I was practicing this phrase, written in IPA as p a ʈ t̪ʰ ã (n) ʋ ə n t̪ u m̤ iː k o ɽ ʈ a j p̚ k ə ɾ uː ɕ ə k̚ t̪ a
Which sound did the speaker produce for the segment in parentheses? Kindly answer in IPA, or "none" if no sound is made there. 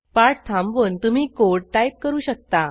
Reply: m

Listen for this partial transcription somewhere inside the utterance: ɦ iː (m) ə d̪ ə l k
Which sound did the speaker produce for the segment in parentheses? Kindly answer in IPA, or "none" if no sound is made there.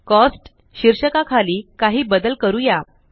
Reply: b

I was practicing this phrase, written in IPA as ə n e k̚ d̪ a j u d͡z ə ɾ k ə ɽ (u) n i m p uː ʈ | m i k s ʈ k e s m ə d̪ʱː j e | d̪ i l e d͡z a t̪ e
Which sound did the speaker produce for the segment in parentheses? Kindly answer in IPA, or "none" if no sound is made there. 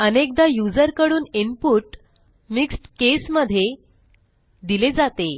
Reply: uː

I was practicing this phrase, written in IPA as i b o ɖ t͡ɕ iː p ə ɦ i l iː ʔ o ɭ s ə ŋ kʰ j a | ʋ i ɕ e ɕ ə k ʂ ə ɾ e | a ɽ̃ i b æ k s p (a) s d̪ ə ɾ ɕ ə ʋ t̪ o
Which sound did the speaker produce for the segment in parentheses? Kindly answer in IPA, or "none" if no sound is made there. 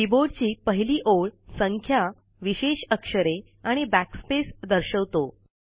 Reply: e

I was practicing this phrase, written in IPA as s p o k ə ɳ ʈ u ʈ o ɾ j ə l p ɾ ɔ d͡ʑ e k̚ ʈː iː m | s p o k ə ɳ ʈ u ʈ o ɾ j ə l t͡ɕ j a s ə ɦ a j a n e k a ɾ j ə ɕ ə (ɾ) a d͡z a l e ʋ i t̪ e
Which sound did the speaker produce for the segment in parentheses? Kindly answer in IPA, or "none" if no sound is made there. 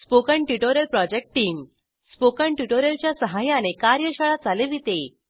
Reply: ɭ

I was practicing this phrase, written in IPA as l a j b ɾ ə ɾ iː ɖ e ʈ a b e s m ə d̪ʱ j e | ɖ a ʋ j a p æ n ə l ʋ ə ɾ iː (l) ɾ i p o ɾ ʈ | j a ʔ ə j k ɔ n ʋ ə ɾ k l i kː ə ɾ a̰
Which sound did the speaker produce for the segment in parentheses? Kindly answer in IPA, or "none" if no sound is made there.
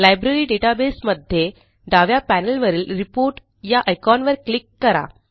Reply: l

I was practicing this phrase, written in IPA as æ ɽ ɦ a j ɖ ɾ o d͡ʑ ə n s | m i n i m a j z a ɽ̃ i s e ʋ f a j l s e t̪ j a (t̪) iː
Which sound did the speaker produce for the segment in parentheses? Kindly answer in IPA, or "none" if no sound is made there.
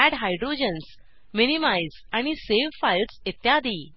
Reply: d̪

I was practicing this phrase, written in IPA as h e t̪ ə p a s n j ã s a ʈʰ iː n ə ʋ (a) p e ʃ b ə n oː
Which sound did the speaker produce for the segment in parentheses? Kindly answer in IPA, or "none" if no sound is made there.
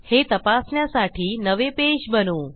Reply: e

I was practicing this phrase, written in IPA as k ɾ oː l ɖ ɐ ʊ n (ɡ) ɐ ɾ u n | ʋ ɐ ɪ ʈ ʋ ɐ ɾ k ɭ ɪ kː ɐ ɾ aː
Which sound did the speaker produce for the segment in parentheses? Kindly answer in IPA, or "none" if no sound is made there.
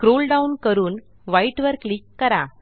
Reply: k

